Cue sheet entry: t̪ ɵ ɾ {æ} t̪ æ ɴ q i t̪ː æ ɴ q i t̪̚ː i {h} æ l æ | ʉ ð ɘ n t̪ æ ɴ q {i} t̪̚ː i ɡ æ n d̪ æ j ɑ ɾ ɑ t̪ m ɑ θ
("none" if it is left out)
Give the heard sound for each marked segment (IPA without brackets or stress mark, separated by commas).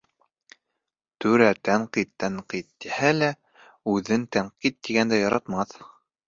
æ, h, i